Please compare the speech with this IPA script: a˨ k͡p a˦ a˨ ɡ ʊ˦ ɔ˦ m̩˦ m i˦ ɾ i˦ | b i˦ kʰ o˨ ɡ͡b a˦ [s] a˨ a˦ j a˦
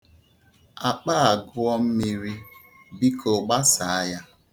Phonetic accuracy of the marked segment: correct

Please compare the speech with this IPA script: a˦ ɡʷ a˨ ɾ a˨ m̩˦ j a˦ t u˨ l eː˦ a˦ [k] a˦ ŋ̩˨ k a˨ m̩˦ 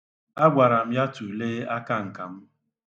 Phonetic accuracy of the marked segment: correct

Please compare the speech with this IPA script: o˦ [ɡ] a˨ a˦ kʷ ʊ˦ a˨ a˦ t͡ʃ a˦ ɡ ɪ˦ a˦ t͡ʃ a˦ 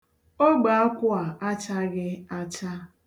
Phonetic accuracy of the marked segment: incorrect: ɡ͡b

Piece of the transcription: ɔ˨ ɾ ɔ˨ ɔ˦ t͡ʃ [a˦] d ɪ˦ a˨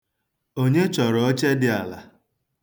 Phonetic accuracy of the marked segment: incorrect: e˦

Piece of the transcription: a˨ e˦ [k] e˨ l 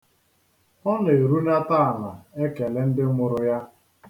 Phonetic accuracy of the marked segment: correct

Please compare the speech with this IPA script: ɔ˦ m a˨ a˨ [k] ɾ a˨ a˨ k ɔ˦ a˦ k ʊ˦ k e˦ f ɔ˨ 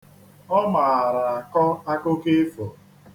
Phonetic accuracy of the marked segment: incorrect: none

